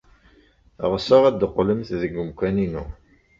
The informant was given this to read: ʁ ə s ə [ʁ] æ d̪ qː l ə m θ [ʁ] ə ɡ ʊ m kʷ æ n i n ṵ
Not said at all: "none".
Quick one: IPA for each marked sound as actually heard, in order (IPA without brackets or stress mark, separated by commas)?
ʁ, ð